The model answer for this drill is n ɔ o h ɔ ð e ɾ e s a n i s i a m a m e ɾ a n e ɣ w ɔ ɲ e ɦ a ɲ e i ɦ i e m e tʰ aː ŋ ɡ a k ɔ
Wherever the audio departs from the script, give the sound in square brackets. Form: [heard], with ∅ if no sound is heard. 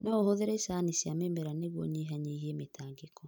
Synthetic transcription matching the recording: n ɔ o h [o] ð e ɾ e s a n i s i a m [e] m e ɾ a n e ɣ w ɔ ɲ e ɦ a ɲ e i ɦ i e m e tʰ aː ŋ ɡ [e] k ɔ